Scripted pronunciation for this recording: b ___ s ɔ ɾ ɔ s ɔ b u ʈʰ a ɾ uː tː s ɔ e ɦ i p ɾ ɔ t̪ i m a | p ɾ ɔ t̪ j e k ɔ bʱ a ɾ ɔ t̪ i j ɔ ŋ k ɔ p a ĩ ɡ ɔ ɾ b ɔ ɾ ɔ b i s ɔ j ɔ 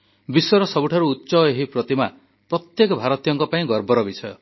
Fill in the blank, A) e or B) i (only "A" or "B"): B